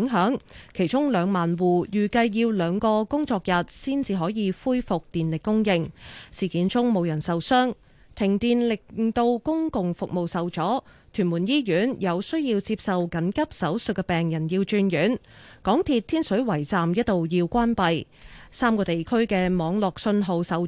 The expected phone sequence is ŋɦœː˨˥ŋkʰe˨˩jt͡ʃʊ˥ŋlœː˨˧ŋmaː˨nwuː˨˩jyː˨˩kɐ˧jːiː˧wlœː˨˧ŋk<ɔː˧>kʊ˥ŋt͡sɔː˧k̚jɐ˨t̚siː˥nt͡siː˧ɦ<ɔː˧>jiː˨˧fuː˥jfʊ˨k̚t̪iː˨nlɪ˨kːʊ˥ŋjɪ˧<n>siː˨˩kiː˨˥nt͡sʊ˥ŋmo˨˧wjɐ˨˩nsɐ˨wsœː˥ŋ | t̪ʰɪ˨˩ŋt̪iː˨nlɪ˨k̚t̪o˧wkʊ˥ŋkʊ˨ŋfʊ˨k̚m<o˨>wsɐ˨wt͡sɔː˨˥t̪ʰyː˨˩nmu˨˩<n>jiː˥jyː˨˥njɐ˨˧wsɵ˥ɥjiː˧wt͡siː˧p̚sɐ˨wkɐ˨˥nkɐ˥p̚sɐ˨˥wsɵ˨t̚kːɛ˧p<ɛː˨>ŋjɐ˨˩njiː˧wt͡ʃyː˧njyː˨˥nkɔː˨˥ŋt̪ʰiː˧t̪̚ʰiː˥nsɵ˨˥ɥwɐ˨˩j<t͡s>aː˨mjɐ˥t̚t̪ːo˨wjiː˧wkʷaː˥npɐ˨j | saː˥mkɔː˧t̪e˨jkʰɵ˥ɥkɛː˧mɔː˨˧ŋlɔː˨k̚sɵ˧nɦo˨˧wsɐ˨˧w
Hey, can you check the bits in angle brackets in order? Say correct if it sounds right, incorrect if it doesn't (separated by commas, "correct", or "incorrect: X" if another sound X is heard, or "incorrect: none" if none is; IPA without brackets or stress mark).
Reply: correct, incorrect: ɔː˨˥, incorrect: ŋ, correct, correct, correct, correct